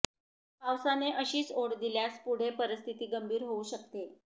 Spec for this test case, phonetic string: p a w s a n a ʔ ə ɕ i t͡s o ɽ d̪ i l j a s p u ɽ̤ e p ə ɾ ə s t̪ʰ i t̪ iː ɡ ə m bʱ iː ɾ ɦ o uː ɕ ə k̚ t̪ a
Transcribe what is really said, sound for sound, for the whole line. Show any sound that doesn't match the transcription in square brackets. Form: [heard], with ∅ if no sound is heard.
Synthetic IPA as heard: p a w s a n [e] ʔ ə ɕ [iː] t͡s o ɽ d̪ i l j a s p u ɽ̤ e p ə ɾ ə s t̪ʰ i t̪ iː ɡ ə m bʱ iː ɾ ɦ o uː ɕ ə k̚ t̪ [e]

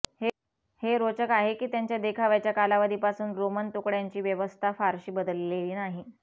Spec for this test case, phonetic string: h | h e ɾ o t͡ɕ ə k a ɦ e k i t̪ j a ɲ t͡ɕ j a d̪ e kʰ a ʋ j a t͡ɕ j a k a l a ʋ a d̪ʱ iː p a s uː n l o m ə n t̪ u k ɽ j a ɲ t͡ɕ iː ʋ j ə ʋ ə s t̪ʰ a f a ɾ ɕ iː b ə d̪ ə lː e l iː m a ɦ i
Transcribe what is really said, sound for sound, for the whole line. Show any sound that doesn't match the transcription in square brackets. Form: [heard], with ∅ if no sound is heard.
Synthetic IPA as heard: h | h e ɾ o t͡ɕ ə k a ɦ e k [iː] t̪ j a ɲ t͡ɕ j a d̪ e kʰ a ʋ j a t͡ɕ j a k a l a ʋ a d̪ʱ iː p a s uː n [ɾ] o m ə n t̪ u k ɽ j a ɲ t͡ɕ iː ʋ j ə ʋ ə s t̪ʰ a f a ɾ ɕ iː b ə d̪ ə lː e l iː [n] a ɦ i

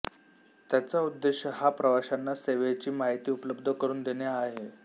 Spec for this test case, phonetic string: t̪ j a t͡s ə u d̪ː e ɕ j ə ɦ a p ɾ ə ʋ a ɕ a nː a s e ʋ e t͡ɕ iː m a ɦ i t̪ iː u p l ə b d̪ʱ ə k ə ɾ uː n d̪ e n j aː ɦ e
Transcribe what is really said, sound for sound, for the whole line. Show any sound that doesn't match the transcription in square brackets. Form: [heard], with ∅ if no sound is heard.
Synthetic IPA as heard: t̪ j a t͡s [a] u d̪ː e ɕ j ə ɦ a p ɾ ə ʋ a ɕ a nː a s e ʋ e t͡ɕ iː m a ɦ i t̪ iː u p l ə b d̪ʱ ə k ə ɾ uː n d̪ e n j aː ɦ e

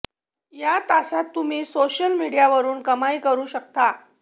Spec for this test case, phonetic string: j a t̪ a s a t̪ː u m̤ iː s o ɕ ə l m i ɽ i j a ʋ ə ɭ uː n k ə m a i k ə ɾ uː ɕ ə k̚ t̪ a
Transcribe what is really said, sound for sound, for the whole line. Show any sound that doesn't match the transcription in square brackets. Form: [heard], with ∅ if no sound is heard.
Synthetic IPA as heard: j a t̪ a s a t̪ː u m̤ iː s o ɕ ə l m i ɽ i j a ʋ ə [ɾ] uː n k ə m a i k ə ɾ uː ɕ ə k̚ t̪ a

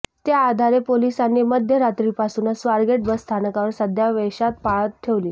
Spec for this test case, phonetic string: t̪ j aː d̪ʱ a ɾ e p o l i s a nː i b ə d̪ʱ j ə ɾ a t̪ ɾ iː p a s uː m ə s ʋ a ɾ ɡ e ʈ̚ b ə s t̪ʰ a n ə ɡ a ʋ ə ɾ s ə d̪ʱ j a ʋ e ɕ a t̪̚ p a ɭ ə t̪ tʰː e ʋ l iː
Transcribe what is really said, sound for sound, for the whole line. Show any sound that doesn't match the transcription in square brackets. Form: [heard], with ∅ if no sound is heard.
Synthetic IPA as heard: t̪ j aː d̪ʱ a ɾ e p o l i s a nː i [m] ə d̪ʱ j ə ɾ a t̪ ɾ iː p a s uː [n] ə s ʋ a ɾ ɡ e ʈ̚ b ə s t̪ʰ a n ə [k] a ʋ ə ɾ s ə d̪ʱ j a ʋ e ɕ a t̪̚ p a ɭ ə t̪ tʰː e ʋ l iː

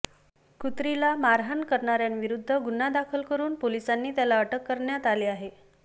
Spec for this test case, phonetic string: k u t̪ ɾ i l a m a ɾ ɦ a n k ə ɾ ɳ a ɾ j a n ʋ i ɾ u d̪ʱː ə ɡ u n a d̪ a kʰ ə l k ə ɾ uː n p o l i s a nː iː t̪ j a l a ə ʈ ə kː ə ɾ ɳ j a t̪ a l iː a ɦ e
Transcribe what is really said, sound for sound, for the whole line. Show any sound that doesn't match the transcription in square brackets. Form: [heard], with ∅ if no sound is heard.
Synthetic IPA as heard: k u t̪ ɾ i l a m a ɾ ɦ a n k ə ɾ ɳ a ɾ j a n ʋ i ɾ u d̪ʱː ə ɡ u n a d̪ a kʰ ə l k ə ɾ uː n p o l i s a nː iː t̪ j a l a ə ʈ ə kː ə ɾ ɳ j a t̪ a l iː a ɦ e

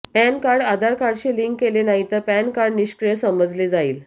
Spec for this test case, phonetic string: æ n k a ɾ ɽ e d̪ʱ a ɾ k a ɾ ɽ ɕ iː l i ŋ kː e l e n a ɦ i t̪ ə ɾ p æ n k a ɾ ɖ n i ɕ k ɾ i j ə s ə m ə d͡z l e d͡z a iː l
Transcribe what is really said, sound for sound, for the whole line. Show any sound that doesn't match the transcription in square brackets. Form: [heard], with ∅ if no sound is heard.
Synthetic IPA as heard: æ n k a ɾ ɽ [a] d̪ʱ a ɾ k a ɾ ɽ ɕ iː l i ŋ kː e l e n a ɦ i t̪ ə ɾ p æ n k a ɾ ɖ n i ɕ k ɾ i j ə s ə m ə d͡z l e d͡z a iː l

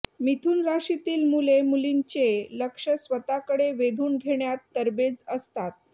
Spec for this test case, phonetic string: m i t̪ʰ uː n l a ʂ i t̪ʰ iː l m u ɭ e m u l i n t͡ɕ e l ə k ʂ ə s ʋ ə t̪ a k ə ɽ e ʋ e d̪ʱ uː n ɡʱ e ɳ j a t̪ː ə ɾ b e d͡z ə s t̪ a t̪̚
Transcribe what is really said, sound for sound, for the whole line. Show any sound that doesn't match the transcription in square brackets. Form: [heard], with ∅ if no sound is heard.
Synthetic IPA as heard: m i t̪ʰ uː n [ɾ] a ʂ i [t̪] iː l m u [l] e m u l i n t͡ɕ e l ə k ʂ ə s ʋ ə t̪ a k ə ɽ e ʋ e d̪ʱ uː n ɡʱ e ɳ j a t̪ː ə ɾ b e d͡z ə s t̪ a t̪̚

